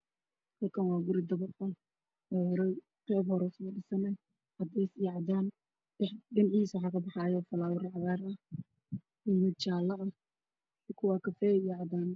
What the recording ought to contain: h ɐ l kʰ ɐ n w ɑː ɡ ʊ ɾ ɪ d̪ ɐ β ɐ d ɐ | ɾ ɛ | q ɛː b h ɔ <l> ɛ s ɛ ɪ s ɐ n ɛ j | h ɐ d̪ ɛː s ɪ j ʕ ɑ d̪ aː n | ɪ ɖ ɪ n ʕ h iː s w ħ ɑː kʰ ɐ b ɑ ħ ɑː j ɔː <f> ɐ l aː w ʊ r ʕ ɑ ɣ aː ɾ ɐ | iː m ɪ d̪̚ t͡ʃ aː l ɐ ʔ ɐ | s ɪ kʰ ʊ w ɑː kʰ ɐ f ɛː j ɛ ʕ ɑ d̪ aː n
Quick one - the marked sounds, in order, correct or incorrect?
incorrect: ɾ, correct

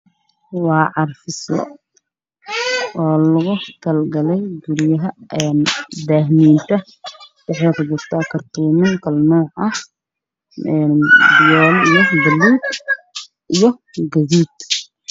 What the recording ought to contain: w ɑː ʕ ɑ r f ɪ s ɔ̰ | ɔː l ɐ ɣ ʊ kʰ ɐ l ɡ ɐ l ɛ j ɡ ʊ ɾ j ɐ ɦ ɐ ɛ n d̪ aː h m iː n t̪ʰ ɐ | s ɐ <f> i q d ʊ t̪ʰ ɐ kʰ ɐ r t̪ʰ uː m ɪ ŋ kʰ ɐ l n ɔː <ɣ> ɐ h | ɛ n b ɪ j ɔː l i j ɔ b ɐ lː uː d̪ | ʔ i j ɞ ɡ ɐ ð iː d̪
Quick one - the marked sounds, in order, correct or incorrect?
incorrect: ħ, incorrect: ʕ

